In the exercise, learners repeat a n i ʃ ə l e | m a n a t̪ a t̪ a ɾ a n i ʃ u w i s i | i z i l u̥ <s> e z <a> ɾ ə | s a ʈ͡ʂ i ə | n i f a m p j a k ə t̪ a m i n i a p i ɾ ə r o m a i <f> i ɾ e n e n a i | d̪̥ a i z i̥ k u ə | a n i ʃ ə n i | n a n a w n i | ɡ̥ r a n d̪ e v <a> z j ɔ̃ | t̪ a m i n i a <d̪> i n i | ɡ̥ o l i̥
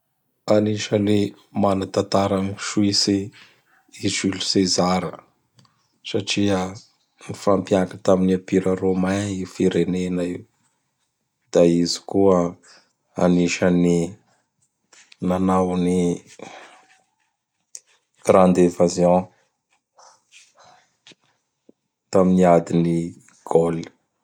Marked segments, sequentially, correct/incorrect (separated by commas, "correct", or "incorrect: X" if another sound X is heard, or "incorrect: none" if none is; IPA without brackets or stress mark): correct, correct, correct, correct, correct